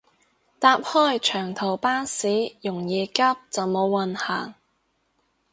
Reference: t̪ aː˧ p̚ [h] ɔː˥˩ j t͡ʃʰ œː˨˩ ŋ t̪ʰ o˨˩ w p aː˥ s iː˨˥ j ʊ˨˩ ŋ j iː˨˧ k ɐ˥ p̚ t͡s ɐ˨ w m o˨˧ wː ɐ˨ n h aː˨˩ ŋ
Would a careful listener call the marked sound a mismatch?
no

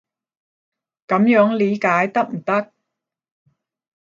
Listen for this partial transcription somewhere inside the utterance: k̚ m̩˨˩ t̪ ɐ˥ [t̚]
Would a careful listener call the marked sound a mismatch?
yes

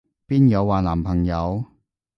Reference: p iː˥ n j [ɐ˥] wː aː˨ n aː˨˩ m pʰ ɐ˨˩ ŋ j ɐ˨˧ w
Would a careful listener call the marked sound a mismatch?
yes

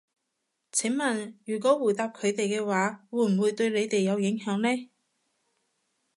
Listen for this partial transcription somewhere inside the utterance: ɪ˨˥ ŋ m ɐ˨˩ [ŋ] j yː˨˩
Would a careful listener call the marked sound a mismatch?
yes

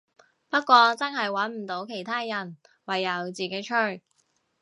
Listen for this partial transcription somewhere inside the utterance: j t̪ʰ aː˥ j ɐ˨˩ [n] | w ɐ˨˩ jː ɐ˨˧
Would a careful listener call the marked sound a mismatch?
no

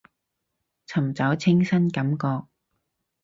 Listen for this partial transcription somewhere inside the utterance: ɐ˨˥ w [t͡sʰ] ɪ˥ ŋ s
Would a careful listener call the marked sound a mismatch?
no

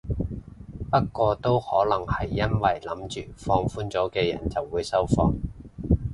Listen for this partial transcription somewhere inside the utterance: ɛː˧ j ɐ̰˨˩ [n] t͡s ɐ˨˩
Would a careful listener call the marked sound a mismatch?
no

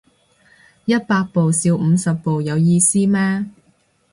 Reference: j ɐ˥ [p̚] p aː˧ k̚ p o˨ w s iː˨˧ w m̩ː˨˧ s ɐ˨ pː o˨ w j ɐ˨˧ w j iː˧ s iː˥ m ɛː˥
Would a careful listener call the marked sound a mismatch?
yes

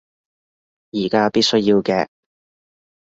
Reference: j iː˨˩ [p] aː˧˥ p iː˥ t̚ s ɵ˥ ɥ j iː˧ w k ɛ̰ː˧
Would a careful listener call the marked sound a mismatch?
yes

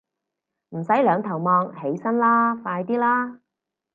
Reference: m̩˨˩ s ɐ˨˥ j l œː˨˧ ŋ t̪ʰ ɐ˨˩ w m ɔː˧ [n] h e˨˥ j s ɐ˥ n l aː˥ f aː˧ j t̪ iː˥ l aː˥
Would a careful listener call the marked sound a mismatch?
yes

